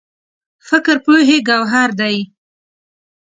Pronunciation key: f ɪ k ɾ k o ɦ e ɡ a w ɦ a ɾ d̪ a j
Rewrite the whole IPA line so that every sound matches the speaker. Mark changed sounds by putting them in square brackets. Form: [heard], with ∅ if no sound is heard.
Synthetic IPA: f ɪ k ɾ [p] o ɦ e ɡ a w ɦ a ɾ d̪ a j